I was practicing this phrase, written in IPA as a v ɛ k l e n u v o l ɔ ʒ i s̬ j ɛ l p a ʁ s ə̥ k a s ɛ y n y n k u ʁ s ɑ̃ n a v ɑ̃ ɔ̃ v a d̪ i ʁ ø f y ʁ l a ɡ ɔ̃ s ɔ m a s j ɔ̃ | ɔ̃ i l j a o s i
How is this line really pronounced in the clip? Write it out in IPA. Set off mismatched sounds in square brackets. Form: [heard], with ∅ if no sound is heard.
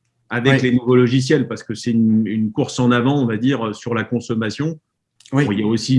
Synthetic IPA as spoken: a v ɛ k l e n u v o l ɔ ʒ i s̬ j ɛ l p a ʁ s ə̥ k [ə] s ɛ y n y n k u ʁ s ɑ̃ n a v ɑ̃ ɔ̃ v a d̪ i ʁ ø [s] y ʁ l a [k] ɔ̃ s ɔ m a s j ɔ̃ | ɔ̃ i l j a o s i